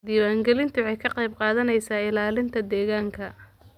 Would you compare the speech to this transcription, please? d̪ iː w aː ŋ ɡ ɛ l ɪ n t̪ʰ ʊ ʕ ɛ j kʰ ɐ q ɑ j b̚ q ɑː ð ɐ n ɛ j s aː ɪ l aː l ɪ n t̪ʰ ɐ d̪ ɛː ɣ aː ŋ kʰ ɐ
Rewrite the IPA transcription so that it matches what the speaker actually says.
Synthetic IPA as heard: d̪ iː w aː ŋ ɡ ɛ l ɪ n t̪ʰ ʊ ʕ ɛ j kʰ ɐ q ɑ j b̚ q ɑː ð ɐ n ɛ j s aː ɪ l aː l ɪ n t̪ʰ ɐ d̪ ɛː ɣ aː ŋ kʰ ɐ